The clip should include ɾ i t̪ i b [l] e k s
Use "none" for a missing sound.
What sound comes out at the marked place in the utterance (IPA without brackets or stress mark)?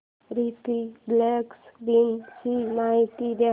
l